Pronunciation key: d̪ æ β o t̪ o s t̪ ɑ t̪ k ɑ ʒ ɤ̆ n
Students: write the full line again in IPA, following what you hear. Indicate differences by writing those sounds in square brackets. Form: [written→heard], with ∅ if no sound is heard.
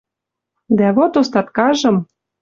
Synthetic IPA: d̪ æ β o t̪ o s t̪ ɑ t̪ k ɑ ʒ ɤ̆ [n→m]